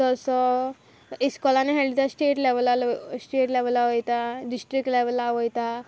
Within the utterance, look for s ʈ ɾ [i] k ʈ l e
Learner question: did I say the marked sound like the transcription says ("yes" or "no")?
yes